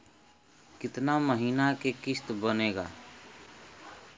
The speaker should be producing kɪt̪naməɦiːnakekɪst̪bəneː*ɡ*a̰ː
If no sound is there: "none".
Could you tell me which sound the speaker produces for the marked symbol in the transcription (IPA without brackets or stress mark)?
ɡ